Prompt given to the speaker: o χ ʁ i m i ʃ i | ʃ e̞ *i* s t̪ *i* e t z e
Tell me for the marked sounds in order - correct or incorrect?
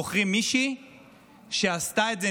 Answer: incorrect: a, incorrect: a

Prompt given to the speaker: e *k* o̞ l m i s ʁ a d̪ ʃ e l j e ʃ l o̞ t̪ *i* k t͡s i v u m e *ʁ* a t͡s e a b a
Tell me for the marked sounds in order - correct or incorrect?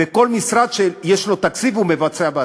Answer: correct, incorrect: a, incorrect: v

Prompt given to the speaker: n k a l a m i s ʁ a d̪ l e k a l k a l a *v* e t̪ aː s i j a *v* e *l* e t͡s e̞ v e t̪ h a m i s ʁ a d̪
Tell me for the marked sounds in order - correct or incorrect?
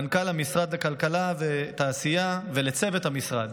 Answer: correct, correct, correct

